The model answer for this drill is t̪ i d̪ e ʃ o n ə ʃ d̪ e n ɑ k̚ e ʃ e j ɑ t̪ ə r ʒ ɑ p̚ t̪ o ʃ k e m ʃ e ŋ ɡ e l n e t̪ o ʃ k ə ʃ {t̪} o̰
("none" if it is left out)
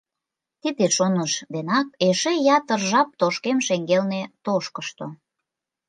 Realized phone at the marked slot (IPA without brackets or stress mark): t̪